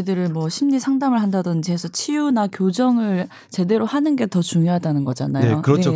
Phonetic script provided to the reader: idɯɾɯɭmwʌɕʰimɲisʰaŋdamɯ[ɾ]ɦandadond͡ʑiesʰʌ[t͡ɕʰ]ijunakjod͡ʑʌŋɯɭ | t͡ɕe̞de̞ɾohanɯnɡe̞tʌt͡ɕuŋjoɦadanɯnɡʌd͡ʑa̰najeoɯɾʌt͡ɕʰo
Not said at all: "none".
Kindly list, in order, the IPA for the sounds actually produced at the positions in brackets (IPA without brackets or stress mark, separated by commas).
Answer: ɭ, t͡ɕʰ